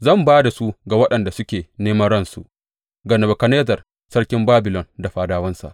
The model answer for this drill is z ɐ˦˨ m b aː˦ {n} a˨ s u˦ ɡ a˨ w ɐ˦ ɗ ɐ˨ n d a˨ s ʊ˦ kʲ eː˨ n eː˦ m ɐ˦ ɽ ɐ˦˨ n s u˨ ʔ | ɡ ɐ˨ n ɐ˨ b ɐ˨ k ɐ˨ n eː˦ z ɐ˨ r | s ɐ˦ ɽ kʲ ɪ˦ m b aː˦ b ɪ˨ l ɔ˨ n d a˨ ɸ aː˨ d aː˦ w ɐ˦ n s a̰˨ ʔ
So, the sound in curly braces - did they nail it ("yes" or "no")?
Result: no